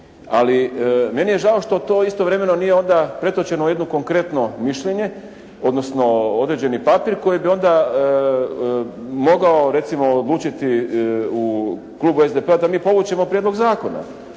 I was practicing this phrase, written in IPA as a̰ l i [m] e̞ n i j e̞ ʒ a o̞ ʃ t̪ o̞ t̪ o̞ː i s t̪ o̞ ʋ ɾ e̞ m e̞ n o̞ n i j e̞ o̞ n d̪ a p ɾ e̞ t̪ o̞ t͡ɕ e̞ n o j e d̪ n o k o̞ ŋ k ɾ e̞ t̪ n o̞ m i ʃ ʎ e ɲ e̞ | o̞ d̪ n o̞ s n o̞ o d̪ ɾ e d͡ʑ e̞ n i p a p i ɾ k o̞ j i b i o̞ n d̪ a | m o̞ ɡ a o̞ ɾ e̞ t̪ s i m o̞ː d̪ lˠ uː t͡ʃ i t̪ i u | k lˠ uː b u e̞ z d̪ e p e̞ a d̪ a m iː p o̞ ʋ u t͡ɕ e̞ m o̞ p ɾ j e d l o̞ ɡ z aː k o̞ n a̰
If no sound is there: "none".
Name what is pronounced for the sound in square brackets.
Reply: m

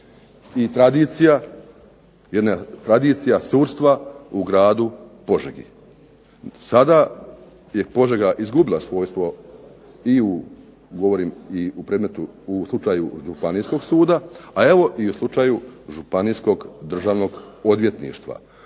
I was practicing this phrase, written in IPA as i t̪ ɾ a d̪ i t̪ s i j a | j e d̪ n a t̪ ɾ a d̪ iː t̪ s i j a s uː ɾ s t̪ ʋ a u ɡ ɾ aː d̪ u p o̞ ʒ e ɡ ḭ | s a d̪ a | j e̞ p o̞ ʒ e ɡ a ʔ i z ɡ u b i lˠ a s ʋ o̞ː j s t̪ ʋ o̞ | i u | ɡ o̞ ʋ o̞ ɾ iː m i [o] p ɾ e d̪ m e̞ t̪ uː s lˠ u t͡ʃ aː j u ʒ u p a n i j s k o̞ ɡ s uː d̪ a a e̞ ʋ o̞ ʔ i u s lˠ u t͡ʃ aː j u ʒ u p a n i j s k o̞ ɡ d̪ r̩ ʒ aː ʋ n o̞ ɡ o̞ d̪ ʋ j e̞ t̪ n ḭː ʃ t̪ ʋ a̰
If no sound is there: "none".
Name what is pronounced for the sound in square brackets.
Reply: u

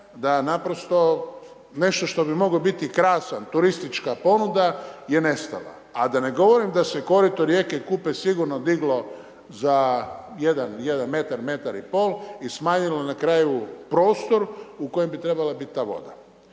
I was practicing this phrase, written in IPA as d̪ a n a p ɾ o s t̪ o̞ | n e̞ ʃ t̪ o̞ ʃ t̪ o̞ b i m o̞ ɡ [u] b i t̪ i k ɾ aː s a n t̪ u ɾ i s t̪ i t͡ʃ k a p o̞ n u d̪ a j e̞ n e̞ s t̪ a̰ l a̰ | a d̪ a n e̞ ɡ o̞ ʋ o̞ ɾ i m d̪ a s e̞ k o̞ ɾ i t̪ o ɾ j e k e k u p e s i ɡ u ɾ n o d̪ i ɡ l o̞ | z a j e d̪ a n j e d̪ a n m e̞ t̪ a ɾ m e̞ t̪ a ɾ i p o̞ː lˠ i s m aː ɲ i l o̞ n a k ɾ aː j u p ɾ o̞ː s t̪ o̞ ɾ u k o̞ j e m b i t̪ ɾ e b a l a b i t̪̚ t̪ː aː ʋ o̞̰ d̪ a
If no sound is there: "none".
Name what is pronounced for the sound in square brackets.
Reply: o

